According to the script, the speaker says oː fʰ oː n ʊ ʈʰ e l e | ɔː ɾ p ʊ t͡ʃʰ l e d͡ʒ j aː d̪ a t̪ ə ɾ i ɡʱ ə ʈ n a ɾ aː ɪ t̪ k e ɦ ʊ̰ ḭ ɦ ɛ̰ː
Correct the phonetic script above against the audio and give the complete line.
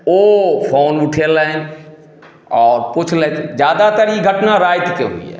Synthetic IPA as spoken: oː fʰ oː n ʊ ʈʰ e l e | ɔː ɾ p ʊ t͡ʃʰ l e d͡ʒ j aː d̪ a t̪ ə ɾ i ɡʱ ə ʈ n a ɾ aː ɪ t̪ k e ɦ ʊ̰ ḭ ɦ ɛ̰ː